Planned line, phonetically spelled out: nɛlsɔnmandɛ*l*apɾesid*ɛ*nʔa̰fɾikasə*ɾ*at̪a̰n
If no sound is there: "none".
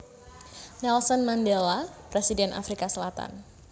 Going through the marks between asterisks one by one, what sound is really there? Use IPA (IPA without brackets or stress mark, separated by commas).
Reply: l, ɛ, l